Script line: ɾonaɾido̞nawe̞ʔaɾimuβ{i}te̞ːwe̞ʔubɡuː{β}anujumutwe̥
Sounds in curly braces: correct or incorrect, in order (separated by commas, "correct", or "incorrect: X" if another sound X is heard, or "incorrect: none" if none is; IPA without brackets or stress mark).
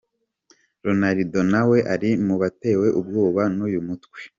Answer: incorrect: a, correct